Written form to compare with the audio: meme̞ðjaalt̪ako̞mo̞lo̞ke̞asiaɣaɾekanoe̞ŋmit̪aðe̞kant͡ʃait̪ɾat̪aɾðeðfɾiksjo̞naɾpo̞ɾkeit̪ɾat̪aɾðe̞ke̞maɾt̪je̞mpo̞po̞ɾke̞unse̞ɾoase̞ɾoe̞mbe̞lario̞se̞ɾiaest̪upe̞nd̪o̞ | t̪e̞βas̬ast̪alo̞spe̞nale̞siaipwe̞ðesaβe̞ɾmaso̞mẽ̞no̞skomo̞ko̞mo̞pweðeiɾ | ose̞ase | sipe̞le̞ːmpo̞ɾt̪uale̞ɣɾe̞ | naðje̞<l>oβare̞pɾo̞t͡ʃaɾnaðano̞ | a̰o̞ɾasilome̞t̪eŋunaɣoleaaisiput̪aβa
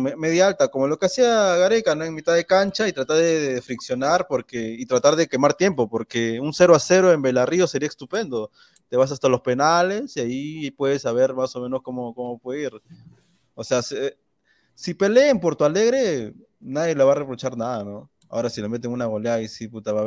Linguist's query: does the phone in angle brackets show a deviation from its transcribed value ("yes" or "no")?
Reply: no